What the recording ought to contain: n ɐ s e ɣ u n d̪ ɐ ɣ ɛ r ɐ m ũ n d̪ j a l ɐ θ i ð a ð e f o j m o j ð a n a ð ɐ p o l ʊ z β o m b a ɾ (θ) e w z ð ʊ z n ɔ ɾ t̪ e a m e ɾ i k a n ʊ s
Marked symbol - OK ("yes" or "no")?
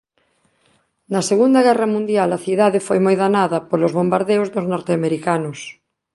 no